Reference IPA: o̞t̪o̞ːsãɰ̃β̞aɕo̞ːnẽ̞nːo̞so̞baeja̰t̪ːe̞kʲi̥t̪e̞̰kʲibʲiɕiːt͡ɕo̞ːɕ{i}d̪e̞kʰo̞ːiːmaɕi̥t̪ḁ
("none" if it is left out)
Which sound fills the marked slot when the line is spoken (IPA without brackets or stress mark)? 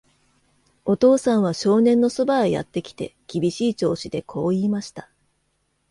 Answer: i